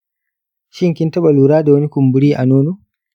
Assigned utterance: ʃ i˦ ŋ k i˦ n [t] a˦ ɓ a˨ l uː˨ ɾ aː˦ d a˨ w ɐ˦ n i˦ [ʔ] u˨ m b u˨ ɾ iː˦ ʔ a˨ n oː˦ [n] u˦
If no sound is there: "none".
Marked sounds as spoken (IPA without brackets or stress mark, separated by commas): t, k, n